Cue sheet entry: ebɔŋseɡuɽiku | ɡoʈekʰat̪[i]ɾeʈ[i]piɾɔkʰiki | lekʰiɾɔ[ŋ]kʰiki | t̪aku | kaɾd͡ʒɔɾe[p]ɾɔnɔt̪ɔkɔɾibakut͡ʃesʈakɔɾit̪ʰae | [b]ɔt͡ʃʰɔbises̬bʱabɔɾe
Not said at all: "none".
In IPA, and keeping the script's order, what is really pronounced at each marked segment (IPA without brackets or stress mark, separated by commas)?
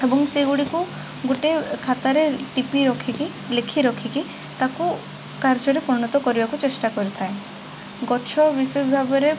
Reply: a, i, none, p, ɡ